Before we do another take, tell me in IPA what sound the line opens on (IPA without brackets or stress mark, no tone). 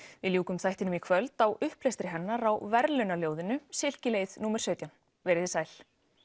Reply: v